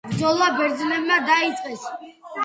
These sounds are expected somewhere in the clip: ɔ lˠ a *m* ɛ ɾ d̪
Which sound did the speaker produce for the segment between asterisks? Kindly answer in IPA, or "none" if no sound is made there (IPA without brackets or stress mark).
b